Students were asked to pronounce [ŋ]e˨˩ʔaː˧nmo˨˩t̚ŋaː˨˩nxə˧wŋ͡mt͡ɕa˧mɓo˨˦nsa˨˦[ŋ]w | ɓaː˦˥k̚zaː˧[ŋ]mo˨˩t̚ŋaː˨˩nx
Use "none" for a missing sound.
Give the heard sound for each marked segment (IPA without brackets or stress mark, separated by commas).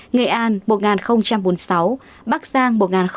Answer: ŋ, none, ŋ